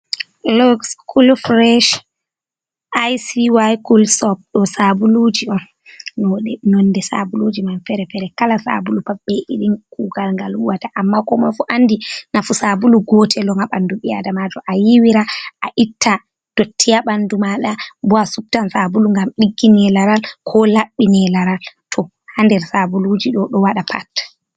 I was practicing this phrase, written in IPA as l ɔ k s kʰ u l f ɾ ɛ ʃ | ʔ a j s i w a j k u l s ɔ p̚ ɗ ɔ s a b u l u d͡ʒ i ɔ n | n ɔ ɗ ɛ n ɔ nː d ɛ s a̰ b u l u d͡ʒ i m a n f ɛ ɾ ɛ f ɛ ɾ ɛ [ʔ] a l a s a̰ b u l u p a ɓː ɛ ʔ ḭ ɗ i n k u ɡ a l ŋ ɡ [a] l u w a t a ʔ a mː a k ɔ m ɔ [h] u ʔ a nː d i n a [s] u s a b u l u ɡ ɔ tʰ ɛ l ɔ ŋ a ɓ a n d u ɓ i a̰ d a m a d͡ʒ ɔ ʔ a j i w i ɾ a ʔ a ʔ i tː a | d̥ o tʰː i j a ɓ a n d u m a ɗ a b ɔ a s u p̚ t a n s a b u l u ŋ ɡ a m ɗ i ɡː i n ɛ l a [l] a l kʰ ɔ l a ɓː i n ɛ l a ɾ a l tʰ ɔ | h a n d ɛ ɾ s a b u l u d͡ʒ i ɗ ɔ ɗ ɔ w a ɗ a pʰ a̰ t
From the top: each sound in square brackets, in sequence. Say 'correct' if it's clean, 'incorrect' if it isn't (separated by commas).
incorrect, correct, incorrect, incorrect, incorrect